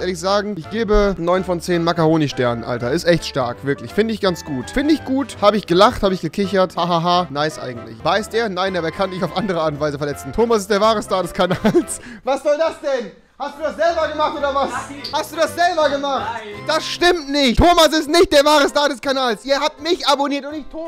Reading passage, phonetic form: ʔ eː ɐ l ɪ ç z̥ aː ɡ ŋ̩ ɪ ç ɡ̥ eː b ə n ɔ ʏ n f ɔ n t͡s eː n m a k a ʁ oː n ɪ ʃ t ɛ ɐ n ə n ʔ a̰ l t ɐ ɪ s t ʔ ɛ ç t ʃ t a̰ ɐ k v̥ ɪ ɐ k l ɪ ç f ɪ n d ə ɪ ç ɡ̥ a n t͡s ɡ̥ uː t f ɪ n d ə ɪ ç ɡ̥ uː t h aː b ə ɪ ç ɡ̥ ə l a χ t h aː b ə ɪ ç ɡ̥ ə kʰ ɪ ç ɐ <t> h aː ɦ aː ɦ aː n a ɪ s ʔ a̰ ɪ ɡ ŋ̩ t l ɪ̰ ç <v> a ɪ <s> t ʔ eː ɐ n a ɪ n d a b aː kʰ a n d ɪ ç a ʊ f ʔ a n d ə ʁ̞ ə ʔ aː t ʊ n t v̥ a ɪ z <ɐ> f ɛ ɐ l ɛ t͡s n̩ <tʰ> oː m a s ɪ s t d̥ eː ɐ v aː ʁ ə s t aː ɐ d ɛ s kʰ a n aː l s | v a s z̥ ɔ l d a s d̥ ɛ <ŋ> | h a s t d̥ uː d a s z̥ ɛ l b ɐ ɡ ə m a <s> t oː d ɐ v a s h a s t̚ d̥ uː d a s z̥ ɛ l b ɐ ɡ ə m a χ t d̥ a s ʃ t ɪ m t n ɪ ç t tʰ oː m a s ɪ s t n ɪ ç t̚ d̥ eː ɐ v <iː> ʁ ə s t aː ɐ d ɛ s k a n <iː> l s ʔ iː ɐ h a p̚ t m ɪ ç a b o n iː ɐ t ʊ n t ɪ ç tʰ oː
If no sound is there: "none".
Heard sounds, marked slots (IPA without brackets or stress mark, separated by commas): t, v, s, ə, tʰ, n, χ, aː, aː